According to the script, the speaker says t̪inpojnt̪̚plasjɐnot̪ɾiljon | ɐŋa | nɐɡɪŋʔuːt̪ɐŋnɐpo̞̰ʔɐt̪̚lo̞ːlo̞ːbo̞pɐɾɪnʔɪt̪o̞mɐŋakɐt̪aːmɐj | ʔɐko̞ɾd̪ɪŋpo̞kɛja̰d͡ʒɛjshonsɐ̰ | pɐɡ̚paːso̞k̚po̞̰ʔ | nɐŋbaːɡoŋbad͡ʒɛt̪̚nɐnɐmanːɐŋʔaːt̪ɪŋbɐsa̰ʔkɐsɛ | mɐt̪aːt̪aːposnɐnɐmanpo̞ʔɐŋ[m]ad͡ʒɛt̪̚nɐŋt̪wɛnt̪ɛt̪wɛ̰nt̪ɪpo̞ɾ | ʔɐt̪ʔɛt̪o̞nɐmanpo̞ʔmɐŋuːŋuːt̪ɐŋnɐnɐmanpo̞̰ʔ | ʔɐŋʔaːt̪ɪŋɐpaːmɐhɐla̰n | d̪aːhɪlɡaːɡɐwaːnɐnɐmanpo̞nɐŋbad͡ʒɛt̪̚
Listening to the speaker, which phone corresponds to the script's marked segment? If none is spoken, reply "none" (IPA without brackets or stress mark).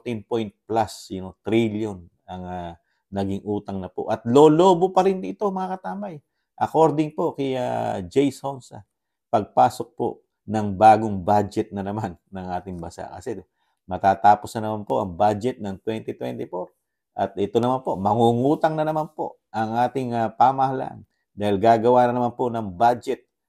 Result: b